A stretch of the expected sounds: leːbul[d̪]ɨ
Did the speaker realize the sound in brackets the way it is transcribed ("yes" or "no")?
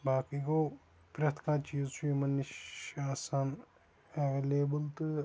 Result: no